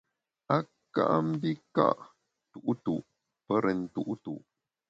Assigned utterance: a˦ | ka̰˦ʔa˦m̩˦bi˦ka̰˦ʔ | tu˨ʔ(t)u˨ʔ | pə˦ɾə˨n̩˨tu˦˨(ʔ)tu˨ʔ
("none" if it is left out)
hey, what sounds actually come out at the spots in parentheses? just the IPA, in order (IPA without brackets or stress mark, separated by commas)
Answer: t, ʔ